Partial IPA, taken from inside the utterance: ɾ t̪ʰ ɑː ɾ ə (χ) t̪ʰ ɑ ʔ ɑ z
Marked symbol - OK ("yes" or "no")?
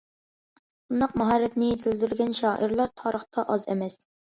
yes